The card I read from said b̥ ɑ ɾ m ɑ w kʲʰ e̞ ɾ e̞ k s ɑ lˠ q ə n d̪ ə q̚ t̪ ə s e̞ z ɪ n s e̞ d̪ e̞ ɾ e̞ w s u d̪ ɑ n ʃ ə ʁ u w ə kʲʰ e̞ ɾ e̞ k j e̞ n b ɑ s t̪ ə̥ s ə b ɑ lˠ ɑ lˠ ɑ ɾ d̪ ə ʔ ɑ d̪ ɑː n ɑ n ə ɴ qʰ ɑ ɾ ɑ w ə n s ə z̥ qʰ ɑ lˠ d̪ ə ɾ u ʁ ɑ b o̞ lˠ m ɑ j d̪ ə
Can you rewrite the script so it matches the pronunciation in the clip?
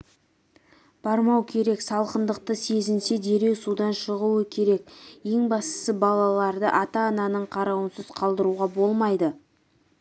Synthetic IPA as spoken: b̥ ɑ ɾ m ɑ w kʲʰ e̞ ɾ e̞ k s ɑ lˠ q ə n d̪ ə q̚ t̪ ə s e̞ z ɪ n s e̞ d̪ e̞ ɾ e̞ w s u d̪ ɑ n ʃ ə ʁ u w ə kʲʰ e̞ ɾ e̞ k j e̞ ŋ b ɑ s t̪ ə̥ s ə b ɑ lˠ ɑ lˠ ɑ ɾ d̪ ə ʔ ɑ t̪ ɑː n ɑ n ə ɴ qʰ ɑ ɾ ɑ w ə n s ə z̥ qʰ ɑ lˠ d̪ ə ɾ u ʁ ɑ b o̞ lˠ m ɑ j d̪ ə